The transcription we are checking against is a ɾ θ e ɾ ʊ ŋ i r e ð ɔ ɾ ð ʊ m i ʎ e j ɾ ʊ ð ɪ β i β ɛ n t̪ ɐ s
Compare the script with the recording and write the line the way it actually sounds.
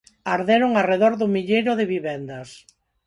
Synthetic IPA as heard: a ɾ ð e ɾ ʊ ŋ a r e ð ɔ ɾ ð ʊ m i ʎ e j ɾ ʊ ð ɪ β i β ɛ n d̪ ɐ s